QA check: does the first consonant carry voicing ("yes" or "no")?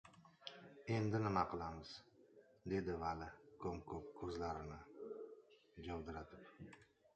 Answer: yes